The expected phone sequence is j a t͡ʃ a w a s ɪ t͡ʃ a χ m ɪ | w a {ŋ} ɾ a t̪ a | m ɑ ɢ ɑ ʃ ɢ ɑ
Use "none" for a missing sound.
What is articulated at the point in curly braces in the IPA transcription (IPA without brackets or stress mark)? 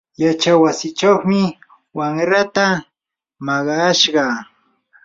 ŋ